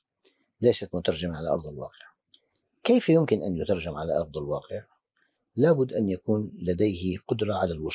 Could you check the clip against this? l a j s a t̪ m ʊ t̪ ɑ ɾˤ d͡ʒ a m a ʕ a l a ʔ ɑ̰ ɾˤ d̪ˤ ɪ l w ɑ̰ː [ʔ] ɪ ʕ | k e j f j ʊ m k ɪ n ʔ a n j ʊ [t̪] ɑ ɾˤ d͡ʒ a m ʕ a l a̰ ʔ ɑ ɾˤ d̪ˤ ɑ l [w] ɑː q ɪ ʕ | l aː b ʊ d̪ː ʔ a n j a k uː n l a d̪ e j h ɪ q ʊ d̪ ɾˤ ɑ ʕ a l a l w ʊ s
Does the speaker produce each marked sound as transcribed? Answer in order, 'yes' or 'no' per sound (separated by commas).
no, yes, yes